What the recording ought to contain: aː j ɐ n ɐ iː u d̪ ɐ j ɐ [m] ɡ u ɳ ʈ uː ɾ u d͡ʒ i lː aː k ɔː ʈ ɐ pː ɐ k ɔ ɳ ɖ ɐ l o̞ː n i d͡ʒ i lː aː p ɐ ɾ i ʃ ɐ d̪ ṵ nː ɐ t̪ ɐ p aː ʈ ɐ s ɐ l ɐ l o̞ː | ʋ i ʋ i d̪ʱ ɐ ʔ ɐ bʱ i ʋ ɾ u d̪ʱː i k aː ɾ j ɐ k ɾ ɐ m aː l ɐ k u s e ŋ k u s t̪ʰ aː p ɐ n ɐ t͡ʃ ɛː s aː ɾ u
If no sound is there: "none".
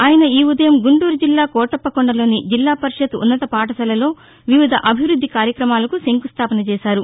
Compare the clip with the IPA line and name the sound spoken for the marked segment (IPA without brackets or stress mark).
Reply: m